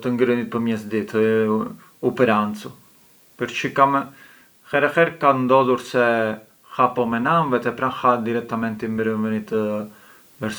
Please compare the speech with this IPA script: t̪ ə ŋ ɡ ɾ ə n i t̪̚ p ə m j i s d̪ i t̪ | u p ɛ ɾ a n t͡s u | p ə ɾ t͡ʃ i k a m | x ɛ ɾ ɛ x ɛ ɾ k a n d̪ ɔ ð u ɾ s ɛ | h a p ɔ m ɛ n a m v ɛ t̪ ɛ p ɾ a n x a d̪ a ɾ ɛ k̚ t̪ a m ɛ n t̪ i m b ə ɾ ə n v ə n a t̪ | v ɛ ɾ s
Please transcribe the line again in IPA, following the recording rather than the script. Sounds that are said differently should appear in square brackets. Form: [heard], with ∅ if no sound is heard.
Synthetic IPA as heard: t̪ ə ŋ ɡ ɾ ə n i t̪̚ p ə m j [ɛ] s d̪ i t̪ | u p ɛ ɾ a n t͡s u | p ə ɾ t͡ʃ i k a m | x ɛ ɾ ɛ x ɛ ɾ k a n d̪ ɔ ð u ɾ s ɛ | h a p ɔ m ɛ n a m v ɛ t̪ ɛ p ɾ a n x a d̪ [i] ɾ ɛ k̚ t̪ a m ɛ n t̪ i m b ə ɾ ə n v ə n [i] t̪ | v ɛ ɾ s